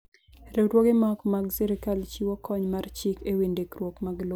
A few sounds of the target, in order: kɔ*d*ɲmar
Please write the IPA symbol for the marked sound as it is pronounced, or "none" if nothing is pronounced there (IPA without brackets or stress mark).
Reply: none